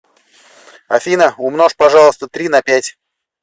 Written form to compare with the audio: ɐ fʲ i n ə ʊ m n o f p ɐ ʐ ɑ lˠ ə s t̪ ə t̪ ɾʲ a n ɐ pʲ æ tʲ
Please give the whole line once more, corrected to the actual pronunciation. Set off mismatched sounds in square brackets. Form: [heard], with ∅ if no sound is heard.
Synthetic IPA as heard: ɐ fʲ i n ə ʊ m n o [ʂ] p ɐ ʐ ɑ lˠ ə s t̪ ə t̪ ɾʲ [i] n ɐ pʲ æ tʲ